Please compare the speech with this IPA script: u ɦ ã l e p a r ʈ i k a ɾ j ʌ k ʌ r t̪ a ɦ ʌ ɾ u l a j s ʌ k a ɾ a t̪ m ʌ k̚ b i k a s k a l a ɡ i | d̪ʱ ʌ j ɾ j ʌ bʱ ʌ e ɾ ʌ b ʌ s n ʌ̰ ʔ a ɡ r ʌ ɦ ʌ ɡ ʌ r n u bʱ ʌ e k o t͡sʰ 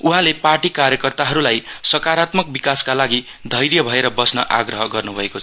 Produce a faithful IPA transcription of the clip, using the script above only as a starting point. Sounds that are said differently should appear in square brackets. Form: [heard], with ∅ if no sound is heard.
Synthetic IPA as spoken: u ɦ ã l e p a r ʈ i k a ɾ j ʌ k ʌ r t̪ a ɦ ʌ ɾ u l a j s ʌ k a ɾ a t̪ m ʌ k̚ b i k a s k a l a ɡ i | d̪ʱ ʌ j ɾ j ʌ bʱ ʌ e ɾ ʌ b ʌ s n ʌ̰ ʔ a ɡ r ʌ ɦ ʌ ɡ ʌ r n u bʱ ʌ e k o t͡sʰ